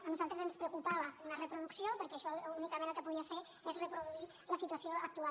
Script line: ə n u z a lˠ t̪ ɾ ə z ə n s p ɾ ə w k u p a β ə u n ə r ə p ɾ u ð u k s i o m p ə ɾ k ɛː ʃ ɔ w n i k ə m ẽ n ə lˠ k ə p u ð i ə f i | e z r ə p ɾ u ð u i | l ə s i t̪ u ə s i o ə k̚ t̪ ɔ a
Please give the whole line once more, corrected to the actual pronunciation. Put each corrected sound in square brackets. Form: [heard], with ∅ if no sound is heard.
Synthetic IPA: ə n u z a lˠ t̪ ɾ ə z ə n s p ɾ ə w k u p a β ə u n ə r ə p ɾ u ð u k s i o [∅] p ə ɾ k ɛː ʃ ɔ [u] n i k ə m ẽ n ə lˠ k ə p u ð i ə f [e] | e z r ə p ɾ u ð u i | l ə s i t̪ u ə s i o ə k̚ t̪ [u] a